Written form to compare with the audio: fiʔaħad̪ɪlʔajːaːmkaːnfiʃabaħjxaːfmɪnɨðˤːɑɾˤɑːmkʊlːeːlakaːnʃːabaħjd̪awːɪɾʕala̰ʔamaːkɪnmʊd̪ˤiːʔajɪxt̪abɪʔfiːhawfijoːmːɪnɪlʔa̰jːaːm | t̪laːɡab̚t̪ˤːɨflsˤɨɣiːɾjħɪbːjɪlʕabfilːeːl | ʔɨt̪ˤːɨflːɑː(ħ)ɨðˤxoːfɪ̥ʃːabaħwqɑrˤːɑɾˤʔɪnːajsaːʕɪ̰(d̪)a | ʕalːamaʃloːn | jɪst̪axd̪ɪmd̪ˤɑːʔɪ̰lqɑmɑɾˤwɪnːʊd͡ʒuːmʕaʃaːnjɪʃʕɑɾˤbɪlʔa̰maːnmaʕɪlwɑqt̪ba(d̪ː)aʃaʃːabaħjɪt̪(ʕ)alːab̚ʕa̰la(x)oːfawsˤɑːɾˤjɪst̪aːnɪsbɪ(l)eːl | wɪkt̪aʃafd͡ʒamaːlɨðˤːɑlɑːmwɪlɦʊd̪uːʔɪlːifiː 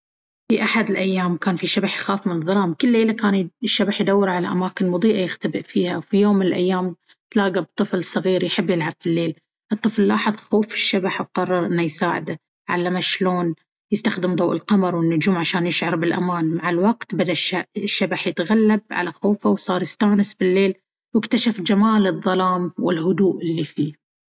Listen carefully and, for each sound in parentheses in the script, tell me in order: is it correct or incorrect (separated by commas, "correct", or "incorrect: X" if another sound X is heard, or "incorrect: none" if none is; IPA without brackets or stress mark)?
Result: correct, correct, incorrect: d̪, incorrect: ɣ, correct, incorrect: lː